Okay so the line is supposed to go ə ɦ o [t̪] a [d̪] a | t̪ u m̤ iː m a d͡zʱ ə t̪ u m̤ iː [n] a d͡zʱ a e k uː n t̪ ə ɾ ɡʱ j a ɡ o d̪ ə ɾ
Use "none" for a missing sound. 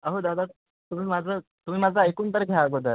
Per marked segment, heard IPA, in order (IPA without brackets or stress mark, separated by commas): d̪, d̪, m